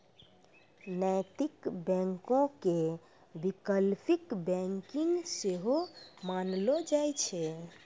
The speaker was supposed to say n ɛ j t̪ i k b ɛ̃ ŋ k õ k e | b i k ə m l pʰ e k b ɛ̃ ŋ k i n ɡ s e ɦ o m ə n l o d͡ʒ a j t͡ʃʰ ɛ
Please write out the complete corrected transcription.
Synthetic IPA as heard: n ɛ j t̪ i k b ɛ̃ ŋ k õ k e | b i k ə l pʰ i k b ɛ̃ ŋ k i ŋ ɡ s e ɦ o m a n l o d͡ʒ a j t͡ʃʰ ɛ

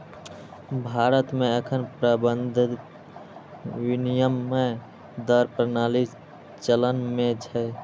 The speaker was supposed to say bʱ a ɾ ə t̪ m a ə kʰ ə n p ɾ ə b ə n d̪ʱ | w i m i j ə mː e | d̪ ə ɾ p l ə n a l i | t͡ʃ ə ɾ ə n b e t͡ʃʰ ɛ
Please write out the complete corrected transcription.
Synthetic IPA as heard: bʱ a ɾ ə t̪ m e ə kʰ ə n p ɾ ə b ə n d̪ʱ | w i n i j ə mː e | d̪ ə ɾ p ɾ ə n a l i | t͡ʃ ə l ə n m e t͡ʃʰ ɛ

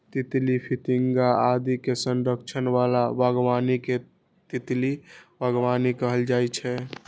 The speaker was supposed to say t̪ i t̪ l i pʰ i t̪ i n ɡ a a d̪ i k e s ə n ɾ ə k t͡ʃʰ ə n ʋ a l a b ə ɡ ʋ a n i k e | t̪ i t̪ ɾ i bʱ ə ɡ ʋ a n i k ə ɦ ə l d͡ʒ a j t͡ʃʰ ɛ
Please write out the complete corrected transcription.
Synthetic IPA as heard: t̪ i t̪ l i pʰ i t̪ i ŋ ɡ a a d̪ i k e s ə n ɾ ə k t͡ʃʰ ə n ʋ a l a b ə ɡ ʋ a n i k e | t̪ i t̪ l i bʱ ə ɡ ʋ a n i k ə ɦ ə l d͡ʒ a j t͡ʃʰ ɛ

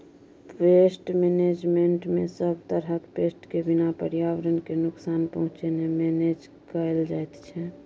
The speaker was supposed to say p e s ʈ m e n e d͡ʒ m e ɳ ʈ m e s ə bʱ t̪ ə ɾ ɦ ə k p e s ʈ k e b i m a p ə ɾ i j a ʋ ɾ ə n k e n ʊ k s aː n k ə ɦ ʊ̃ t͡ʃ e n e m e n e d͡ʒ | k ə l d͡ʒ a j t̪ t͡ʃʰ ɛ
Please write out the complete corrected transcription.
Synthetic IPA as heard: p e s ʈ m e n e d͡ʒ m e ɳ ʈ m e s ə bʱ t̪ ə ɾ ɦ ə k p e s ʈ k e b i n a p ə ɾ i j a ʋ ɾ ə n k e n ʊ k s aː n p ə ɦ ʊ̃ t͡ʃ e n e m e n e d͡ʒ | k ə l d͡ʒ a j t̪ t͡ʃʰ ɛ

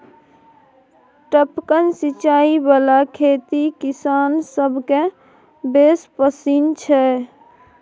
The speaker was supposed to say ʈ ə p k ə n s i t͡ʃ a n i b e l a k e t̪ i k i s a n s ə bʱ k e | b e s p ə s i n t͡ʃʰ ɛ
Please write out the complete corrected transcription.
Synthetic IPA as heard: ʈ ə p k ə n s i t͡ʃ a i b a l a kʰ e t̪ i k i s a n s ə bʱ k e | b e s p ə s i n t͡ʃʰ ɛ

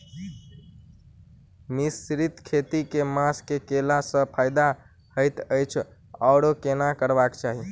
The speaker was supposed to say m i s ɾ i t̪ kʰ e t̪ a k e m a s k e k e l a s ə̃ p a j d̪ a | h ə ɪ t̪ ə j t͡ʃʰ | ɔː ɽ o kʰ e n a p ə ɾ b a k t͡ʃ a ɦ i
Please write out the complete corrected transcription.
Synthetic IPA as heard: m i s ɾ i t̪ kʰ e t̪ i k e m a s k e k e l a s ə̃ pʰ a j d̪ a | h ə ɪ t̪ ə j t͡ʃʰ | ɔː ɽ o k e n a k ə ɾ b a k t͡ʃ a ɦ i

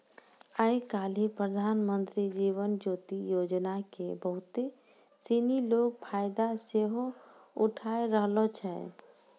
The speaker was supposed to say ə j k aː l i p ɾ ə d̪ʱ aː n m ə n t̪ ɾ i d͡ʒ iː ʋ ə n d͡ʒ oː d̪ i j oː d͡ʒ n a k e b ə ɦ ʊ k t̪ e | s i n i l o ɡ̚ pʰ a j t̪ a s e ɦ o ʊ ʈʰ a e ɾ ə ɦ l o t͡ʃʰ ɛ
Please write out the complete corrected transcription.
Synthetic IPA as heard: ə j k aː l i p ɾ ə d̪ʱ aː n m ə n t̪ ɾ i d͡ʒ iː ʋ ə n d͡ʒ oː t̪ i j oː d͡ʒ n a k e b ə ɦ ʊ t̪ e | s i n i l o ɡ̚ pʰ a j d̪ a s e ɦ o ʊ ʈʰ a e ɾ ə ɦ l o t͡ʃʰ ɛ

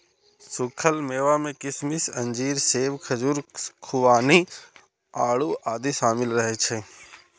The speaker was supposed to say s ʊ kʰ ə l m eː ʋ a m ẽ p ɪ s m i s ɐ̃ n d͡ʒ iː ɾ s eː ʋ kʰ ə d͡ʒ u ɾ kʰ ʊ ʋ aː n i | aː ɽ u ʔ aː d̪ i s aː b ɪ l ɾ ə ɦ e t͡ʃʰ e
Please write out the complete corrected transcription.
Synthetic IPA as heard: s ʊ kʰ ə l m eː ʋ a m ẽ k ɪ s m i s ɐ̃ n d͡ʒ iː ɾ s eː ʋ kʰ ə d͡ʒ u ɾ kʰ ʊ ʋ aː n i | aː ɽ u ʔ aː d̪ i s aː m ɪ l ɾ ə ɦ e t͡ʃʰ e

